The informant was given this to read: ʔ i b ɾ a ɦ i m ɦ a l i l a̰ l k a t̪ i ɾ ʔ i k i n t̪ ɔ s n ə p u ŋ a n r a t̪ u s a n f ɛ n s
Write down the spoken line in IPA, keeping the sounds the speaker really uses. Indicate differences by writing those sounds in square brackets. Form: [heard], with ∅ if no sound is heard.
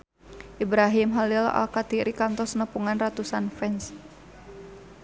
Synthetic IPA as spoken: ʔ i b ɾ a ɦ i m ɦ a l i l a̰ l k a t̪ i ɾ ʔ i k [a] n t̪ ɔ s n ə p u ŋ a n r a t̪ u s a n f ɛ n s